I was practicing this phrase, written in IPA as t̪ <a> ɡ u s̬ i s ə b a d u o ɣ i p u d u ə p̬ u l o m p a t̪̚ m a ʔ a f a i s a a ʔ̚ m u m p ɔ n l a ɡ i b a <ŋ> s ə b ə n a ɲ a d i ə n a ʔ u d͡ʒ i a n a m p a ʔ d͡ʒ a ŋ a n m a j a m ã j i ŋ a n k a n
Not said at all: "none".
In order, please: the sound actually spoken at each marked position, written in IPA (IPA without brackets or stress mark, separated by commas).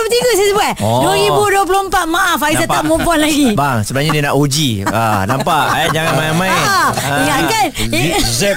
i, ŋ